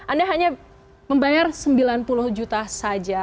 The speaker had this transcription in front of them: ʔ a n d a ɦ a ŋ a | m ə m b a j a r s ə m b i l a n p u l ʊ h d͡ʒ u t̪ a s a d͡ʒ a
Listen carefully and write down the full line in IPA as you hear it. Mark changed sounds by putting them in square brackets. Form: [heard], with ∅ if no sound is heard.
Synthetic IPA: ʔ a n d a ɦ a [ɲ] a | m ə m b a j a r s ə m b i l a n p u l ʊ h d͡ʒ u t̪ a s a d͡ʒ a